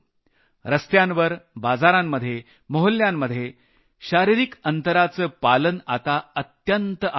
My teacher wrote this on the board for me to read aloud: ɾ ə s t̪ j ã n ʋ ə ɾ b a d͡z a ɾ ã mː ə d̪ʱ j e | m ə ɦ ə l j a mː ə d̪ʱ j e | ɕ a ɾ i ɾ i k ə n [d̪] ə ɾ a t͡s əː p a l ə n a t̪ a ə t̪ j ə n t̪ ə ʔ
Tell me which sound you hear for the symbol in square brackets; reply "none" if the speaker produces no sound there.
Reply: t̪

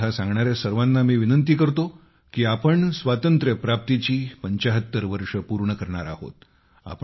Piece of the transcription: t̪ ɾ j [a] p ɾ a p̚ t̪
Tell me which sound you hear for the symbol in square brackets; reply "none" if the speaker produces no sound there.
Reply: ə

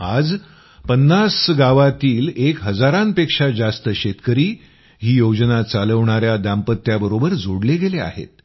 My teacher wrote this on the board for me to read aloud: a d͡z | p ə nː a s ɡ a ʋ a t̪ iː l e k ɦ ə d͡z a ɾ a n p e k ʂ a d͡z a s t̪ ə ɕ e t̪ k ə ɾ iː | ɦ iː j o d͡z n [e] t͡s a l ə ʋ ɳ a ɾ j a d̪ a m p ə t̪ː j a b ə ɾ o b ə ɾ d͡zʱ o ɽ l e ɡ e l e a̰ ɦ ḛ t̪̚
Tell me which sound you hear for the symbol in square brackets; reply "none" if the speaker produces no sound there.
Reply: a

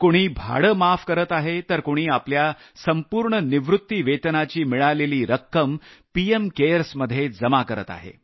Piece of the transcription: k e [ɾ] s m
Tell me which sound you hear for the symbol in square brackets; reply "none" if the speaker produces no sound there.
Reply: ɾ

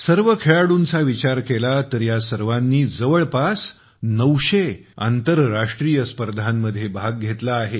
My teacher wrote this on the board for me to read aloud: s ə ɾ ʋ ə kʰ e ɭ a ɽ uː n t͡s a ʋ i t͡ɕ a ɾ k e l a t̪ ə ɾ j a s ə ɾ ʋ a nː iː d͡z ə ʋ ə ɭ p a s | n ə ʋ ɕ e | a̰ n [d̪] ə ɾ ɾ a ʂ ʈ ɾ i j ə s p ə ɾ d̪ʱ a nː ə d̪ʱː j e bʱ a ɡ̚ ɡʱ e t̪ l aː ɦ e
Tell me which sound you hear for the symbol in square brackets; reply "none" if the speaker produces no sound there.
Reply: t̪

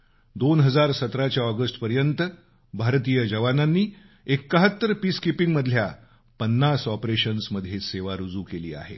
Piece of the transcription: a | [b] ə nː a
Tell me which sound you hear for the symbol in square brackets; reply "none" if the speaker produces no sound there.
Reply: p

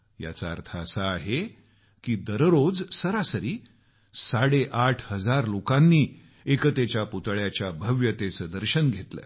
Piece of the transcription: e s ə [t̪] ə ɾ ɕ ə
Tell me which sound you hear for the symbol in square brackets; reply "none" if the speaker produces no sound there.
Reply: d̪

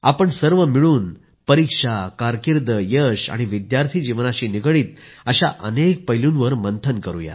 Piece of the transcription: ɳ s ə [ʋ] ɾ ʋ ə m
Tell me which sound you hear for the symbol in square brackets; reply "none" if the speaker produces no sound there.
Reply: none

